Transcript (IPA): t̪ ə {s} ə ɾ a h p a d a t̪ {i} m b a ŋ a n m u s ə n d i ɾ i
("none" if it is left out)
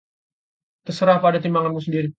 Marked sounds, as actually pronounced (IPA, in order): s, i

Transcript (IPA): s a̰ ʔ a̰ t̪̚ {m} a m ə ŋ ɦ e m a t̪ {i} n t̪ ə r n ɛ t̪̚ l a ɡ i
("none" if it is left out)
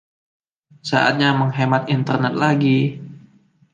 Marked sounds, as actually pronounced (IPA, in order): ɲ, i

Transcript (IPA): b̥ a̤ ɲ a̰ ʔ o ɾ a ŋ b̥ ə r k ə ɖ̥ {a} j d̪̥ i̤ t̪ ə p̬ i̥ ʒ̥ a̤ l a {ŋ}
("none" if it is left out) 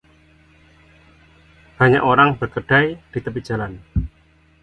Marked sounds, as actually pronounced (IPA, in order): a, n

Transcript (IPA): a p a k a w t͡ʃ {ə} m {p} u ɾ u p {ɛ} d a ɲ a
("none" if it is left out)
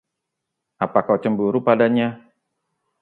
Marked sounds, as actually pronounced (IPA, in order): ə, b, a

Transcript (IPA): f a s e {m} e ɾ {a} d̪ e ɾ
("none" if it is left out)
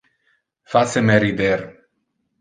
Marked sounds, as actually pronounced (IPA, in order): m, i

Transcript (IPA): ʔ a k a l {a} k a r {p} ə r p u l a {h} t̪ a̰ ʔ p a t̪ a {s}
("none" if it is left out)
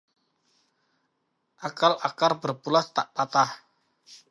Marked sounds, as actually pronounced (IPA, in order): a, b, s, h

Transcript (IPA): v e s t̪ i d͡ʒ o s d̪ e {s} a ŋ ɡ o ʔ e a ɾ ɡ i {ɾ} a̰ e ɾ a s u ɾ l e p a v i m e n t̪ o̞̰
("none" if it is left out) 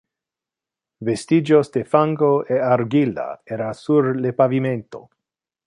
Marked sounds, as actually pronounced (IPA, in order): f, l

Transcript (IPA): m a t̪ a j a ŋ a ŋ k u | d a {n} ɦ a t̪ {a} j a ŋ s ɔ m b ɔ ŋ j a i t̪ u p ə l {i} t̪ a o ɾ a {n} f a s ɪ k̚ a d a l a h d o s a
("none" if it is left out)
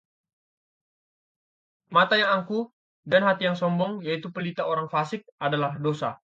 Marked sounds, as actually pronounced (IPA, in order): n, i, i, ŋ

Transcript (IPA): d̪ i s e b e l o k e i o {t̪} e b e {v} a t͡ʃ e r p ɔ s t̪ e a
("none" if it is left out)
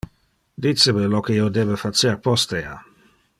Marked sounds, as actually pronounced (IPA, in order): d̪, f

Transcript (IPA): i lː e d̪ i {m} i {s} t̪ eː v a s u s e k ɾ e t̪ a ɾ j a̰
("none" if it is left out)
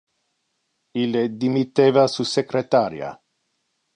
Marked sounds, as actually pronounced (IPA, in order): m, none

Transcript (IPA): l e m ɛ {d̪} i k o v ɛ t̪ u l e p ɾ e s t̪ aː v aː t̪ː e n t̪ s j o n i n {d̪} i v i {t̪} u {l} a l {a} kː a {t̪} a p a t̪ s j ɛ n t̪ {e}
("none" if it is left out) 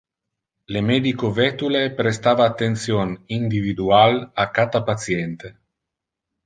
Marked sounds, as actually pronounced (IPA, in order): d̪, d̪, d̪, none, a, t̪, e

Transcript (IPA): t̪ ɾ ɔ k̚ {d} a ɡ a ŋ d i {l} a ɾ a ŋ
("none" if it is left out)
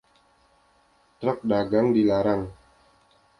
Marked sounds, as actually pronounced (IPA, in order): d, l

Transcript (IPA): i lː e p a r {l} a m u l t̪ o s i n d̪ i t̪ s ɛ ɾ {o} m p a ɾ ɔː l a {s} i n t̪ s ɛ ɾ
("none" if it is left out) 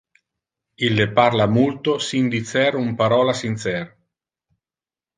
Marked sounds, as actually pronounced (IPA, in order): l, u, s

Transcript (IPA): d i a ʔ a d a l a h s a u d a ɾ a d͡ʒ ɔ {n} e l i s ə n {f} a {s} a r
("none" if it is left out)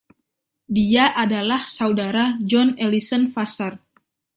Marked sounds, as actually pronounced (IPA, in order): n, f, s

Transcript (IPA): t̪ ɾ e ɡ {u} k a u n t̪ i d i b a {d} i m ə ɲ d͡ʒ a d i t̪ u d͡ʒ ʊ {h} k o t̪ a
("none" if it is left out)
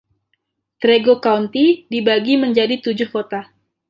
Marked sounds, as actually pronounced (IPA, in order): o, ɡ, h

